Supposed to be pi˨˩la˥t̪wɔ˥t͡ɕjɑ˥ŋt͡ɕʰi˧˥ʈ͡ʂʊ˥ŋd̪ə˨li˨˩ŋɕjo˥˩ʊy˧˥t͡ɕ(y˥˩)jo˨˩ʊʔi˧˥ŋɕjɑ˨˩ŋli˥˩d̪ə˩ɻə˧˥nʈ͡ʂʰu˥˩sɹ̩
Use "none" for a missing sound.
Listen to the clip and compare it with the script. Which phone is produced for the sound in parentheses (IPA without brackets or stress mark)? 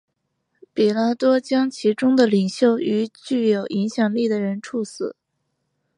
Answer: y˥˩